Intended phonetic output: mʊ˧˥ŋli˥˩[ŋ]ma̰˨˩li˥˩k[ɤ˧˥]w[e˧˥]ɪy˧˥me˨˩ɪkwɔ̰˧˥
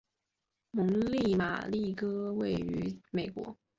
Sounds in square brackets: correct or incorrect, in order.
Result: incorrect, incorrect, incorrect

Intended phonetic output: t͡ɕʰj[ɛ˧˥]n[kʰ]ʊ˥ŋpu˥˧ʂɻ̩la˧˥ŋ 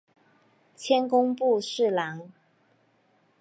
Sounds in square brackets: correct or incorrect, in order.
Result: incorrect, incorrect

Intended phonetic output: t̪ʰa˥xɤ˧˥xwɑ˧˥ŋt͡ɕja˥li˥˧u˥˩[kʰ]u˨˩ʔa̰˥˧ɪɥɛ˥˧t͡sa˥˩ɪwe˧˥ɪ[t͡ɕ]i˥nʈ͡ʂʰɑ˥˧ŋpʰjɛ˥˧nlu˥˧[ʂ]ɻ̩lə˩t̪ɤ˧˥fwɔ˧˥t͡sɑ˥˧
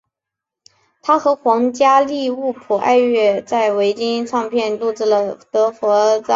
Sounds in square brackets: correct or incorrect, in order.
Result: incorrect, correct, incorrect

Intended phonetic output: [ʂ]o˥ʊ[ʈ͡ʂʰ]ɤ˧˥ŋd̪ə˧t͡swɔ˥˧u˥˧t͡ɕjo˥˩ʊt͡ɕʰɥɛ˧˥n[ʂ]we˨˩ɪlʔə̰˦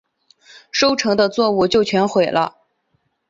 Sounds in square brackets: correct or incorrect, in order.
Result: correct, correct, incorrect

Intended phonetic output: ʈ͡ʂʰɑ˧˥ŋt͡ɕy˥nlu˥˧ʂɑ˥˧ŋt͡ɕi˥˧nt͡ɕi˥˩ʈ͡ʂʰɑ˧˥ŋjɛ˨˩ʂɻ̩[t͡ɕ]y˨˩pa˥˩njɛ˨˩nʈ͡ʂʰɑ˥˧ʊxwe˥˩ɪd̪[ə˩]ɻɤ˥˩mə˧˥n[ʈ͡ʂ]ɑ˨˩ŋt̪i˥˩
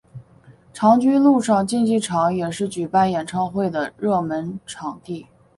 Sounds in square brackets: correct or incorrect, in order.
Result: correct, correct, incorrect

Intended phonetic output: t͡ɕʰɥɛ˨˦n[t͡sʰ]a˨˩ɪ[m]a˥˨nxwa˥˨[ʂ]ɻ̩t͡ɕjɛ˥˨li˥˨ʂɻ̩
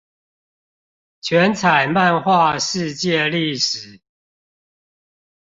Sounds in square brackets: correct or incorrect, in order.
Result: correct, correct, correct

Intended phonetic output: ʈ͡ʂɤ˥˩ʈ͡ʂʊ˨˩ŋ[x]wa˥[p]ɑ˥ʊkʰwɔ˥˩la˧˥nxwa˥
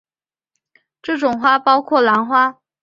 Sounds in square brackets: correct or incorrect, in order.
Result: correct, correct

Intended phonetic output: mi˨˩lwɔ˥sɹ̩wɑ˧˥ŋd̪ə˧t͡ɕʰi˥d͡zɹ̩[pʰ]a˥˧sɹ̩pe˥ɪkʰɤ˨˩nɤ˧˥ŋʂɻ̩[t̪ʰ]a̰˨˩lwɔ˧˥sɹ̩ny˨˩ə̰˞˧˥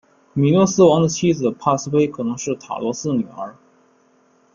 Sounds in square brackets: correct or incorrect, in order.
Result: correct, correct

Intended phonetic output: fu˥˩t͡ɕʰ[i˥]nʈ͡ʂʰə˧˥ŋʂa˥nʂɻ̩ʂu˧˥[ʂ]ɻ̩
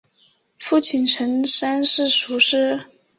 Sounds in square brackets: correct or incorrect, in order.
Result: incorrect, correct

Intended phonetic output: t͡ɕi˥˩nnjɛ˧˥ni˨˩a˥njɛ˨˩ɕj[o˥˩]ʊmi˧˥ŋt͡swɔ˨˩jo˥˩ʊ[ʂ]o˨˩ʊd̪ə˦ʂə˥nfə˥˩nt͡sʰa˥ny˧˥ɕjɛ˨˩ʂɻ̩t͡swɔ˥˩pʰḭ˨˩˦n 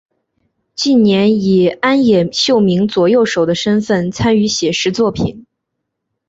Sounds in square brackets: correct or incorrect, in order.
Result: correct, correct

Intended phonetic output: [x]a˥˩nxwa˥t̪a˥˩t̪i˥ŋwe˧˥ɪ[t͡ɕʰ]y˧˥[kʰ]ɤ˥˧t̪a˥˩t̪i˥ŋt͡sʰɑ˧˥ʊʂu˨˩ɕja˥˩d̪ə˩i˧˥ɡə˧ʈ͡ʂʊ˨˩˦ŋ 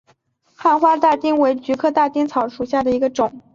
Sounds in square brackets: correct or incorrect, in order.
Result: correct, incorrect, correct

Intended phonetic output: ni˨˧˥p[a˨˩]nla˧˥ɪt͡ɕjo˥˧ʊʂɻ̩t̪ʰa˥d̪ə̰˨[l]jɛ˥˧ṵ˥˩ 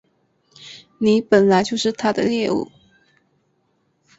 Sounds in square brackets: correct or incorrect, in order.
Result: incorrect, correct

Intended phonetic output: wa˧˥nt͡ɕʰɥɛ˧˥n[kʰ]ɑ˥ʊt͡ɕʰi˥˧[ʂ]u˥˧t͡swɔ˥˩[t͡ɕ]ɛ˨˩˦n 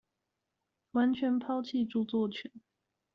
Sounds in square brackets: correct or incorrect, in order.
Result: incorrect, incorrect, incorrect

